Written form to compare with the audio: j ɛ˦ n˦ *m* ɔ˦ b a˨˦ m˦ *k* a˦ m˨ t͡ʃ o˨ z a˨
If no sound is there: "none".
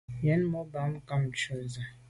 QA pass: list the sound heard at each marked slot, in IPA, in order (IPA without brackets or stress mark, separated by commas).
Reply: m, k